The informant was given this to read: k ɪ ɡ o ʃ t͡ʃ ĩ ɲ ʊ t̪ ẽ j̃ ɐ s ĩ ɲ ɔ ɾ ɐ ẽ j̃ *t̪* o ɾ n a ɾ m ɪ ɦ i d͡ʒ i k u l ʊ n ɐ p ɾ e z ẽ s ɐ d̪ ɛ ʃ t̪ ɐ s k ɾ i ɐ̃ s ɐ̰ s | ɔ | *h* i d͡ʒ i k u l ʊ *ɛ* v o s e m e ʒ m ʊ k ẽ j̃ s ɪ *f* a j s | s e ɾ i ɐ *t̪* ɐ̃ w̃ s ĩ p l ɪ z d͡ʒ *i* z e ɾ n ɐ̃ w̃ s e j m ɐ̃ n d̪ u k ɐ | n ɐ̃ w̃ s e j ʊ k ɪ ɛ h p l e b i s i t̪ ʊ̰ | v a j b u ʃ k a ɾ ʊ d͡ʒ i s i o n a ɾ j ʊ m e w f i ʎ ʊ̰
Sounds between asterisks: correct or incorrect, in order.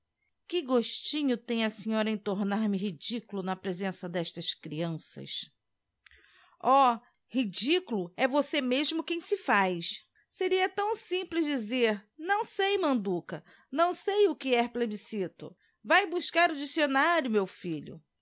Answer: correct, correct, correct, correct, correct, correct

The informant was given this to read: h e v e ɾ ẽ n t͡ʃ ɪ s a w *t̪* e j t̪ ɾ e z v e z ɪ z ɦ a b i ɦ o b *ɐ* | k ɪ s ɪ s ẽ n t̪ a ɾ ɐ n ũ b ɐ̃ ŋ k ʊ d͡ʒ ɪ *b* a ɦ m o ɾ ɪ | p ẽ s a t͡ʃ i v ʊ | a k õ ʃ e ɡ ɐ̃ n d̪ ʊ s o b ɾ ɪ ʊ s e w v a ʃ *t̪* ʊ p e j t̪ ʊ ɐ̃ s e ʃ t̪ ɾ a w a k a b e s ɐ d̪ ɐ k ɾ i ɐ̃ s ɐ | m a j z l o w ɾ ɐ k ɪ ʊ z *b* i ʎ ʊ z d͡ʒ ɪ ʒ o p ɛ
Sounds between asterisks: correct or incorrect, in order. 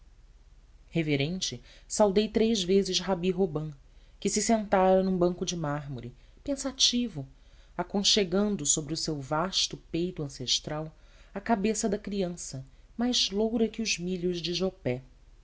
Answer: incorrect, incorrect, incorrect, correct, incorrect

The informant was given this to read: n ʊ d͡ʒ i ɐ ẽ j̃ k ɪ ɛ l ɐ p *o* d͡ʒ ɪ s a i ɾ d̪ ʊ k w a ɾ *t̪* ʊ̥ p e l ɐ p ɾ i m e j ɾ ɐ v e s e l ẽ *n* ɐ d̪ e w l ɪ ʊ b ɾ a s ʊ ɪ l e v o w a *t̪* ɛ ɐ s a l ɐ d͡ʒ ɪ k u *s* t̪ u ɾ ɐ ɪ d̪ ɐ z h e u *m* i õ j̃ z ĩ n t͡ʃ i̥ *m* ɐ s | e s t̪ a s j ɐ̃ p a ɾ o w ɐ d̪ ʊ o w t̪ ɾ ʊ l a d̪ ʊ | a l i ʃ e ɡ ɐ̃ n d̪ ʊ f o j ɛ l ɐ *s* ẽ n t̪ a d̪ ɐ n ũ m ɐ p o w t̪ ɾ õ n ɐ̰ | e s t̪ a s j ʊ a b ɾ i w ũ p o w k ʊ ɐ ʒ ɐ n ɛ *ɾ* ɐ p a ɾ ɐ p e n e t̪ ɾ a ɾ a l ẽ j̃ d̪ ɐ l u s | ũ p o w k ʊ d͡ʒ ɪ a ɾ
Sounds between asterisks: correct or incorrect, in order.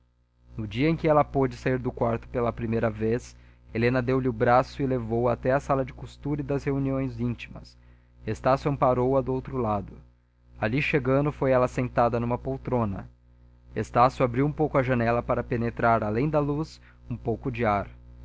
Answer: correct, correct, correct, correct, correct, incorrect, correct, correct, incorrect

